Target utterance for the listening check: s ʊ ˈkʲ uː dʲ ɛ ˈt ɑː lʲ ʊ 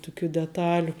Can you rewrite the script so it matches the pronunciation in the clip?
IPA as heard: t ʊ ˈkʲ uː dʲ ɛ ˈt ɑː lʲ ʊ